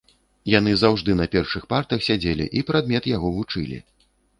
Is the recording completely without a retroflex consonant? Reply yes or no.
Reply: no